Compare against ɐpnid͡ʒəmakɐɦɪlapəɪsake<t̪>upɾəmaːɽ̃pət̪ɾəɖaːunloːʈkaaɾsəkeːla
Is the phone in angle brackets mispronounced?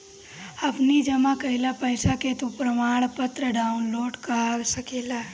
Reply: no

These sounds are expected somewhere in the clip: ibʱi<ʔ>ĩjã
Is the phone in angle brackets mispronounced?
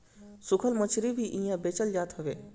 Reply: no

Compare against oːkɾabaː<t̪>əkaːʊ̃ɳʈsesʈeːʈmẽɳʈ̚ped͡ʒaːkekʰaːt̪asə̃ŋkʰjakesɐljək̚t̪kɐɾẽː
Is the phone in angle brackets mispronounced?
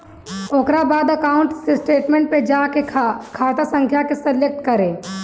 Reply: yes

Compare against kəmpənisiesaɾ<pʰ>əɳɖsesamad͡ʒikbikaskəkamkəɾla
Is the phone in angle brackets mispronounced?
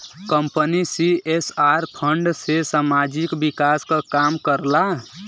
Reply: no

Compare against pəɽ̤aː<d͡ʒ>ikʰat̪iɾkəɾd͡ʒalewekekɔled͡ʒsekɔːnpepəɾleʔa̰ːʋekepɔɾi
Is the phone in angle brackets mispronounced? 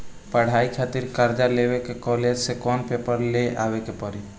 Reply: yes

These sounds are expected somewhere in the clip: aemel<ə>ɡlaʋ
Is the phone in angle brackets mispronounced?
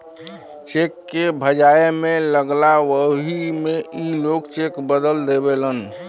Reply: no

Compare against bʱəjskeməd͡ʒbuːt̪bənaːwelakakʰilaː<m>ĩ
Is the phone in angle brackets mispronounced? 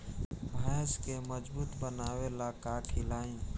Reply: yes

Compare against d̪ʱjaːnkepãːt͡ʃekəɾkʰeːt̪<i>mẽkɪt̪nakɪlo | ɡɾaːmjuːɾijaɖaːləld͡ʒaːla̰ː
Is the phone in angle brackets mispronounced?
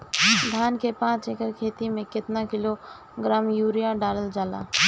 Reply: no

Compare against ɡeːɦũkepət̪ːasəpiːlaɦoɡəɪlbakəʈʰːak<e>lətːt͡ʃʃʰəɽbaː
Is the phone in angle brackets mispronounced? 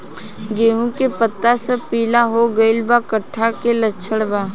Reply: no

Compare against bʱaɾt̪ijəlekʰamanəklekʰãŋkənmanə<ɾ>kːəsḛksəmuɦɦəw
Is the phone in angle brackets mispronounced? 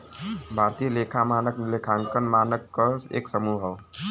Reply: yes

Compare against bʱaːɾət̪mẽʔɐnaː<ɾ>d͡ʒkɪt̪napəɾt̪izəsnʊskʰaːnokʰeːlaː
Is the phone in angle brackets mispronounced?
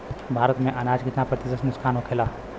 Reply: yes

